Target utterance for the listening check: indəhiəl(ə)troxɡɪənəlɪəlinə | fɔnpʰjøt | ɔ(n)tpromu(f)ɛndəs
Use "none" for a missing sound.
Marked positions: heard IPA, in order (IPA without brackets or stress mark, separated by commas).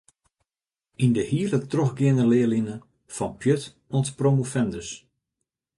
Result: ə, n, f